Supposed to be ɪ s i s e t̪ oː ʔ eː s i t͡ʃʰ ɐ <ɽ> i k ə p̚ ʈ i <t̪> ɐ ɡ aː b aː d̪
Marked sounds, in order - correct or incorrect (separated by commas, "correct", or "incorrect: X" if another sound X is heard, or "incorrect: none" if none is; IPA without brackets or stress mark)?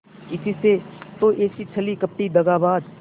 incorrect: l, incorrect: d̪